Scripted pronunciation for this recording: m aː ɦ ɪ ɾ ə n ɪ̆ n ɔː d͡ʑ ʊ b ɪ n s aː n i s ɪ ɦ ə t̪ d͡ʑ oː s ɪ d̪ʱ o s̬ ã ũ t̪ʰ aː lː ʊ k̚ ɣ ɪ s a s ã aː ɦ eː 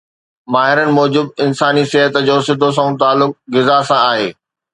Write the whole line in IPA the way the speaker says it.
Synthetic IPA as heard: m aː ɦ ɪ ɾ ə n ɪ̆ m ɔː d͡ʑ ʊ b ɪ n s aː n i s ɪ ɦ ə t̪ d͡ʑ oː s ɪ d̪ʱ o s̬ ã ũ t̪ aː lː ʊ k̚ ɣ ɪ z a s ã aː ɦ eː